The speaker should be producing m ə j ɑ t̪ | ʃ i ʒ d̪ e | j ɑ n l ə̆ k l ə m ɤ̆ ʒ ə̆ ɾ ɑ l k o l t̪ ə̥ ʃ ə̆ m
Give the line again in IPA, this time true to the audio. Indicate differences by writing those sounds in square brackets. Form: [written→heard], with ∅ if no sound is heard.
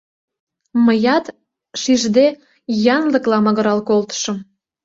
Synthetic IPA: m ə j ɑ t̪ | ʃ i ʒ d̪ e | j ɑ n l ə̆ k l [ə→ɑ] m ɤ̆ [ʒ→ɣ] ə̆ ɾ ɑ l k o l t̪ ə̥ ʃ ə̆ m